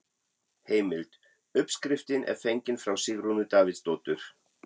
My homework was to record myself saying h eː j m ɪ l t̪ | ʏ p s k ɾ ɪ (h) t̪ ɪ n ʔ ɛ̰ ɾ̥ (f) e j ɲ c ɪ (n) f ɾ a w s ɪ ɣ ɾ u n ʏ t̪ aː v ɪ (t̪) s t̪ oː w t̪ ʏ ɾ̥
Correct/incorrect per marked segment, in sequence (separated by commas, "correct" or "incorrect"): incorrect, correct, correct, correct